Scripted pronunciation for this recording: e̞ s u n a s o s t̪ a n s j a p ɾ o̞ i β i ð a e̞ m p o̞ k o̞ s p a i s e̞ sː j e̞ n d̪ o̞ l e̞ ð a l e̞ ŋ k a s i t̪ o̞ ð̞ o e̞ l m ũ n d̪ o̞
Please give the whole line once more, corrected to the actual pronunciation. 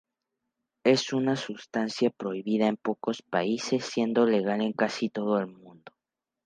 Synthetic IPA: e̞ s u n a s u s t̪ a n s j a p ɾ o̞ i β i ð a e̞ m p o̞ k o̞ s p a i s e̞ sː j e̞ n d̪ o̞ l e̞ ɣ a l e̞ ŋ k a s i t̪ o̞ ð̞ o e̞ l m ũ n d̪ o̞